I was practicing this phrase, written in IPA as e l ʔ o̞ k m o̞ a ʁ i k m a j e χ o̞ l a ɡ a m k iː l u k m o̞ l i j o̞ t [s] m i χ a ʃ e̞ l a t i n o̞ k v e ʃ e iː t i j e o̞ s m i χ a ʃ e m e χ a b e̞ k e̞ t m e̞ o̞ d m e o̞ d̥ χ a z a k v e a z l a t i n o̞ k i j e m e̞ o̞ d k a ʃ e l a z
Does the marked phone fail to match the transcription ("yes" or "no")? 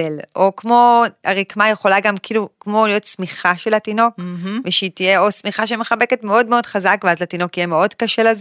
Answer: no